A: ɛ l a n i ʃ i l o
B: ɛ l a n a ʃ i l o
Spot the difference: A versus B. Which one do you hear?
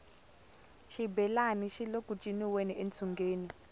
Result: A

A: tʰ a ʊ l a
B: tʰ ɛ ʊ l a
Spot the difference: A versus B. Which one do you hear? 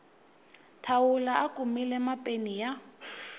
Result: A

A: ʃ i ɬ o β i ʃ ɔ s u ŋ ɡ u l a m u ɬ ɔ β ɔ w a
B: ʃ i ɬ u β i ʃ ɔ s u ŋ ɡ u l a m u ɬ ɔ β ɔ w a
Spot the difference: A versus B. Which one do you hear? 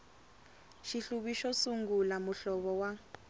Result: B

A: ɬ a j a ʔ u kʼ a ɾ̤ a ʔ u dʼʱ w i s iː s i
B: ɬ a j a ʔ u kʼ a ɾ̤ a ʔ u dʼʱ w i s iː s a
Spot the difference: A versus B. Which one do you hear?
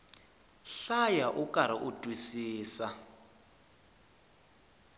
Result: B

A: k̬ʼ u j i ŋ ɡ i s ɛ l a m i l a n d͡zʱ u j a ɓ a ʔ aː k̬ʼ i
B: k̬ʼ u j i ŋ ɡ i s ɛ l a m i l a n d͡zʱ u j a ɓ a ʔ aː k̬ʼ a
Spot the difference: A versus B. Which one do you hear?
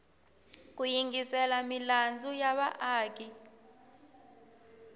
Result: A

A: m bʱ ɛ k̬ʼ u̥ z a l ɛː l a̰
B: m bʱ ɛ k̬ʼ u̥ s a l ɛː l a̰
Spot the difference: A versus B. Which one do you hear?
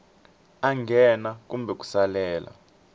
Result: B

